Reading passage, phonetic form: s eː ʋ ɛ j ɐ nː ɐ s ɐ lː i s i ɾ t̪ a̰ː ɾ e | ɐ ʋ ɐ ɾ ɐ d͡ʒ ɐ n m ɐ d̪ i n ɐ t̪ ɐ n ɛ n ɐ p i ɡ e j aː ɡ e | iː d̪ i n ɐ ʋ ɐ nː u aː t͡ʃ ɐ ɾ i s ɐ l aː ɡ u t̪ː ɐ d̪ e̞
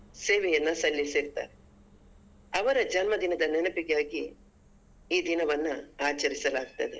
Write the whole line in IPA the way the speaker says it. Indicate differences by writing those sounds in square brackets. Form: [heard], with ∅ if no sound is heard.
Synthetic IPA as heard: s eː ʋ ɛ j ɐ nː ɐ s ɐ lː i s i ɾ t̪ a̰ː ɾ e | ɐ ʋ ɐ ɾ ɐ d͡ʒ ɐ n m ɐ d̪ i n ɐ [d̪] ɐ n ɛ n ɐ p i ɡ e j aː ɡ [i] | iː d̪ i n ɐ ʋ ɐ nː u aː t͡ʃ ɐ ɾ i s ɐ l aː ɡ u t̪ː ɐ d̪ e̞